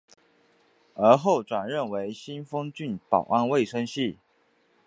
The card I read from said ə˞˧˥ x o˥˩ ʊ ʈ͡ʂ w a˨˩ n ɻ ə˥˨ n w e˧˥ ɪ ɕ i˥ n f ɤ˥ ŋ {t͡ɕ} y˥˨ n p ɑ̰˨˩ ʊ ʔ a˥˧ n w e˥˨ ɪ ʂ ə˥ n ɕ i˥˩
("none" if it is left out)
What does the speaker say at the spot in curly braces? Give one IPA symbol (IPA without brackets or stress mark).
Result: t͡ɕ